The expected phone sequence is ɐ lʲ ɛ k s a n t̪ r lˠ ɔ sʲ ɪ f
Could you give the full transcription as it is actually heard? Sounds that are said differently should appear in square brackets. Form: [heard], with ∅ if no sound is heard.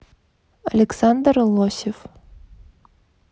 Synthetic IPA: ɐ lʲ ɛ k s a n [d̪] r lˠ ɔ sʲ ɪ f